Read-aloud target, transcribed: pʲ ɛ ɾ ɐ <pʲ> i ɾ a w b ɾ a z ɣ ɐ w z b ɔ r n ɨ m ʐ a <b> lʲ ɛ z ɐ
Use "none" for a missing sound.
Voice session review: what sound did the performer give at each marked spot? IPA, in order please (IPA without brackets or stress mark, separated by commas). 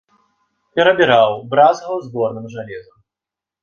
bʲ, none